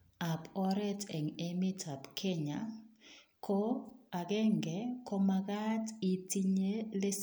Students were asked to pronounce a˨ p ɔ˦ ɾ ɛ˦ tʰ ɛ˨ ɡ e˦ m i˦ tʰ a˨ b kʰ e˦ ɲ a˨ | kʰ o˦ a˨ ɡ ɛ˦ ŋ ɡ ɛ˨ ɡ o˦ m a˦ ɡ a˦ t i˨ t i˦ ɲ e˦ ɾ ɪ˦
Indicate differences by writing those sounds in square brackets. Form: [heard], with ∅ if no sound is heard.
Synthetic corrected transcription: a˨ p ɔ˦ ɾ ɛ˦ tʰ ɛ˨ [ŋ] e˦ m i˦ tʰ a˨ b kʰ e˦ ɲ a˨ | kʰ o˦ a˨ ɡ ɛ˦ ŋ ɡ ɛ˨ [k] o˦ m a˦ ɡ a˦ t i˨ t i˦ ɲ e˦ [l] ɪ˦